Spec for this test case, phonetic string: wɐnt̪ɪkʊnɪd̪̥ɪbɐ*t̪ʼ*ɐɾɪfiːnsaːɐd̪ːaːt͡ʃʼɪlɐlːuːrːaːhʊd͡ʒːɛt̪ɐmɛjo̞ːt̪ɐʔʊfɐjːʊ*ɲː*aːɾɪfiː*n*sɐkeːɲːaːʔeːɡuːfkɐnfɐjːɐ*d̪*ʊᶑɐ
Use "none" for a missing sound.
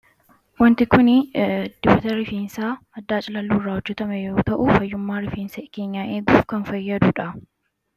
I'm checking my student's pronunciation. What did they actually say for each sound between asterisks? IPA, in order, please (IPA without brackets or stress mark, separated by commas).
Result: t̪, mː, n, d̪